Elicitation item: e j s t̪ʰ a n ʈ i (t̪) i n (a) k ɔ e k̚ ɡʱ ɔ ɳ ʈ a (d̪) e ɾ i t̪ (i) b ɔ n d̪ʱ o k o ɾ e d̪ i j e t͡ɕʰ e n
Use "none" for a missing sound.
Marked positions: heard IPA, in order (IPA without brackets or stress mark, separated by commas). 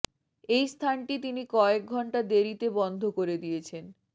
t̪, i, d̪, e